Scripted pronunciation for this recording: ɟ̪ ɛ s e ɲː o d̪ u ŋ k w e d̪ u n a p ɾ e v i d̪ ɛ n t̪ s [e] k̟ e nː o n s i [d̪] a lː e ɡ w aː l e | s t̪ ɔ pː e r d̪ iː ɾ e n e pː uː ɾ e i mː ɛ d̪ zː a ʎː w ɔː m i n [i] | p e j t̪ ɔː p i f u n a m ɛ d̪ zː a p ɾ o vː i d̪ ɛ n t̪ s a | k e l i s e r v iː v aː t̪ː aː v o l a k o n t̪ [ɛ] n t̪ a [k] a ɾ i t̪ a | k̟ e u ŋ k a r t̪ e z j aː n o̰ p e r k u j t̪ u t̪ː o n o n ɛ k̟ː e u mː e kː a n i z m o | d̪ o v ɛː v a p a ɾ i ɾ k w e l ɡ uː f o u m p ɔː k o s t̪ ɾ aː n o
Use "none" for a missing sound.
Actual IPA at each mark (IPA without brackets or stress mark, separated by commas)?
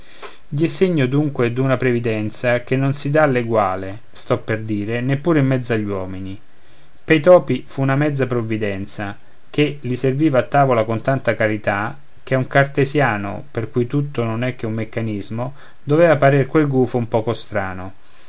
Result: a, d̪, i, a, k